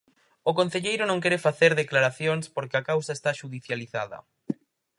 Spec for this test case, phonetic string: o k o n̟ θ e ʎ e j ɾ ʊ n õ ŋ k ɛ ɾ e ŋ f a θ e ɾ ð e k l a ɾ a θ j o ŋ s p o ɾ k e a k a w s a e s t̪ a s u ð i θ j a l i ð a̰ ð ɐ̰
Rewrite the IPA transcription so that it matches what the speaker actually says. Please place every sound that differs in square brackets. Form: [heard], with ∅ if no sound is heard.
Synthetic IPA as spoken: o k o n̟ θ e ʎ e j ɾ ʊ n õ ŋ k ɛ ɾ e [∅] f a θ e ɾ ð e k l a ɾ a θ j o ŋ s p o ɾ k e a k a w s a e s t̪ a [ʃ] u ð i θ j a l i [θ] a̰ ð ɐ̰